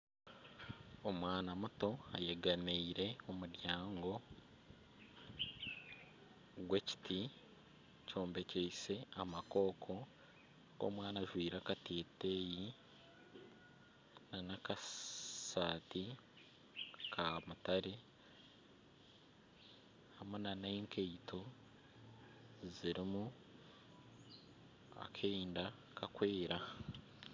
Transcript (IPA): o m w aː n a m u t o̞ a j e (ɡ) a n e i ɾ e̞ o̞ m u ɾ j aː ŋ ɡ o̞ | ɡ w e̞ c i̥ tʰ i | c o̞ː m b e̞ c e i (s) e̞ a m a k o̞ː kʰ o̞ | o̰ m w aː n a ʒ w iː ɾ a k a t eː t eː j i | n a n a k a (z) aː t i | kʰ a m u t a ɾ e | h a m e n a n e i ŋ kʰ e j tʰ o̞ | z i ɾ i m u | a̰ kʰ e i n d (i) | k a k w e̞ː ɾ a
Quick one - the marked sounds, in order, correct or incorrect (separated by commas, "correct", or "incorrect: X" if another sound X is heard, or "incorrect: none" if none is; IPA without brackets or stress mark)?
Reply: correct, correct, incorrect: s, incorrect: a